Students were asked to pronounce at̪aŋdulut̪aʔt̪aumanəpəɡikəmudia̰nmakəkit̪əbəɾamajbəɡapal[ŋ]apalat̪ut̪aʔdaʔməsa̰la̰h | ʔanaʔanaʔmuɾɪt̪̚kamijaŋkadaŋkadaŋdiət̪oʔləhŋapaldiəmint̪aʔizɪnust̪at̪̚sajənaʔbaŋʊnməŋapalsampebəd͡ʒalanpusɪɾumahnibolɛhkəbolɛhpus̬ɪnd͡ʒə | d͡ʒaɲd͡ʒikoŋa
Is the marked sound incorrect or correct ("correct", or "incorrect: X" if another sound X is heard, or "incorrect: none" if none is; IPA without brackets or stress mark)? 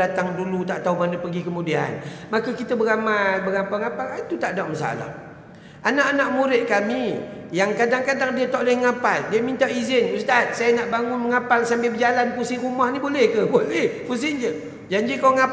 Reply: correct